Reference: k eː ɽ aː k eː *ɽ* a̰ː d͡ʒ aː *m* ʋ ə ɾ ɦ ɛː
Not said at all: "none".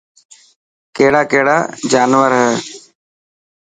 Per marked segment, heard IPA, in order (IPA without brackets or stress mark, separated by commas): ɽ, n